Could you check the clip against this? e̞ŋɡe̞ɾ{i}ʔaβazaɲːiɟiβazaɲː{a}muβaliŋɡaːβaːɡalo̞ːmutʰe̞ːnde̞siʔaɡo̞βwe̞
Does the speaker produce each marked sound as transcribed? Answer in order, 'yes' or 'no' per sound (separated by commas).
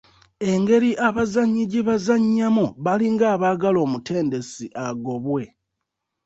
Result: yes, yes